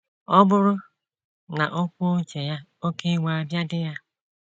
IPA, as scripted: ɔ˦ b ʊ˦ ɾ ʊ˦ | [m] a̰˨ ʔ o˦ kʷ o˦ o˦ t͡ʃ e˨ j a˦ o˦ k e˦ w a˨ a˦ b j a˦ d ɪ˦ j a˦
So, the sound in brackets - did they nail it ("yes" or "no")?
no